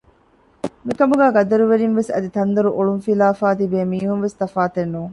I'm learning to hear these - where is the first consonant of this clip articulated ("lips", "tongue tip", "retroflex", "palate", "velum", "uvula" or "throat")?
lips